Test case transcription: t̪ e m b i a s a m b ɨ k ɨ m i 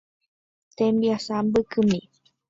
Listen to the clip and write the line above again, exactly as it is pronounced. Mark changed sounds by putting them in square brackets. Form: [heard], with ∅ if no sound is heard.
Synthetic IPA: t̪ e m b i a s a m b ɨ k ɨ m i